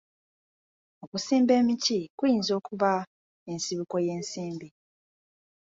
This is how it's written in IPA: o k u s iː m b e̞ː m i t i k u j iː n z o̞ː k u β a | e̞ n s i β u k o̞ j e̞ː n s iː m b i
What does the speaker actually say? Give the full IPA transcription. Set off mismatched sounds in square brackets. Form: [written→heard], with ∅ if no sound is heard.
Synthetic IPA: o k u s iː m b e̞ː m i [t→c] i k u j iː n z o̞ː k u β a | e̞ n s i β u k o̞ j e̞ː n s iː m b i